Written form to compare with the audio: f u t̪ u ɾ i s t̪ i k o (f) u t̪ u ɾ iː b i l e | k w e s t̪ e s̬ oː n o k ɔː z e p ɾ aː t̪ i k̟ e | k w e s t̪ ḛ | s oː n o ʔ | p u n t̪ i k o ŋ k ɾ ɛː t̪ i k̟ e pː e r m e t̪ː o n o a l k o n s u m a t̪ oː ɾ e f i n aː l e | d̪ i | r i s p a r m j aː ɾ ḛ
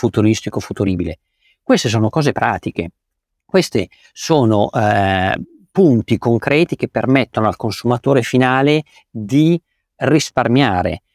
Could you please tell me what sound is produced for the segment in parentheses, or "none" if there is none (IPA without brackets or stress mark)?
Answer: f